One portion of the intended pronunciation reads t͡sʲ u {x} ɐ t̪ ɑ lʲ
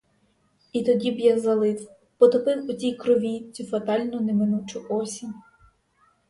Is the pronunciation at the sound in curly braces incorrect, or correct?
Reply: incorrect